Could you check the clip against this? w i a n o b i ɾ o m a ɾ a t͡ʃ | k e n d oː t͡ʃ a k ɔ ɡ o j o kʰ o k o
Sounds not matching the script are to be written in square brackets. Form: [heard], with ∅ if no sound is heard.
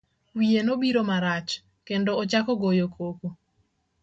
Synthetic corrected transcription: w i [e] n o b i ɾ o m a ɾ a t͡ʃ | k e n d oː t͡ʃ a k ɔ ɡ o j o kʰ o k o